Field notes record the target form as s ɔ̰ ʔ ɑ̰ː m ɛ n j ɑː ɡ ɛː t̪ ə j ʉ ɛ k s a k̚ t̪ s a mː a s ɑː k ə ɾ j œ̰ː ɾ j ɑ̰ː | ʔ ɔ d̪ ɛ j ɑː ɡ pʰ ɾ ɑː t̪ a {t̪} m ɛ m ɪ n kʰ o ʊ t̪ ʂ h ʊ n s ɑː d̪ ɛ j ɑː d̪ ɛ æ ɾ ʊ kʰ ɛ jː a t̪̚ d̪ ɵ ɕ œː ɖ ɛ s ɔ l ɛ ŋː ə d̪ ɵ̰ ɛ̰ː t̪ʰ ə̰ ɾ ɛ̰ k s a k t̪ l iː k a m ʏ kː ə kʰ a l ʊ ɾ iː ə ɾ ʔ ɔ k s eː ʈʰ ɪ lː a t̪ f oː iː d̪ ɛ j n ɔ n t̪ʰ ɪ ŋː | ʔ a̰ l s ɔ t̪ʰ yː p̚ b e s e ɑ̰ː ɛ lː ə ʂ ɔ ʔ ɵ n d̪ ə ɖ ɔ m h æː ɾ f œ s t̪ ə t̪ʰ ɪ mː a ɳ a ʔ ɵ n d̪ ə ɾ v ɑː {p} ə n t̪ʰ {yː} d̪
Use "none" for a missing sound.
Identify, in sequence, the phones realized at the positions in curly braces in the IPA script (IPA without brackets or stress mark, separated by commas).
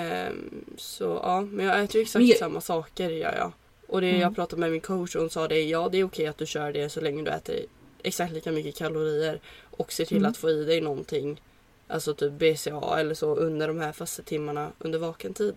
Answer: d̪, k, iː